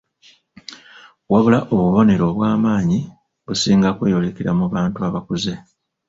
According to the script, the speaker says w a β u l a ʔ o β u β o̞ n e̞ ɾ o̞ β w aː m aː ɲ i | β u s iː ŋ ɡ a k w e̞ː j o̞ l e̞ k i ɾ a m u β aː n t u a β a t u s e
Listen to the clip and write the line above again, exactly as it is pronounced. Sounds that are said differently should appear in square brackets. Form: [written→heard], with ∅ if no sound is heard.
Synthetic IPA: w a β u l a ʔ o β u β o̞ n e̞ ɾ o̞ β w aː m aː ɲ i | β u s iː ŋ ɡ a k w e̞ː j o̞ l e̞ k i ɾ a m u β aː n t u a β a [t→k] u [s→z] e